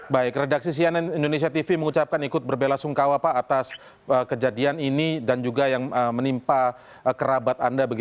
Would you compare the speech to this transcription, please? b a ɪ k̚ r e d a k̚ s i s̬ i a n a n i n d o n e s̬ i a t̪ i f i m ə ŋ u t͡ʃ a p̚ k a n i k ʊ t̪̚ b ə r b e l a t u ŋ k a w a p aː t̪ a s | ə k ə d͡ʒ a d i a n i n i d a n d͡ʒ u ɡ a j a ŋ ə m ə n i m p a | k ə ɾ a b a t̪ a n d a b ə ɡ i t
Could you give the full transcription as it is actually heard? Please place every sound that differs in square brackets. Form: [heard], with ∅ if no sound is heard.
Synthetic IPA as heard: b a ɪ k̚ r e d a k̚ s i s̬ i a n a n i n d o n e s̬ i a t̪ i f i m ə ŋ u t͡ʃ a p̚ k a n i k ʊ t̪̚ b ə r b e l a [s] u ŋ k a w a p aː t̪ a s | ə k ə d͡ʒ a d i a n i n i d a n d͡ʒ u ɡ a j a ŋ ə m ə n i m p a | k ə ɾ a b a t̪ a n d a b ə ɡ i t